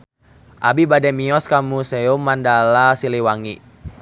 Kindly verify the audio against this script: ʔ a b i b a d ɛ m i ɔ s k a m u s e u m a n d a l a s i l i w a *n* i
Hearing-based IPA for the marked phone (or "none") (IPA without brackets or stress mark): ŋ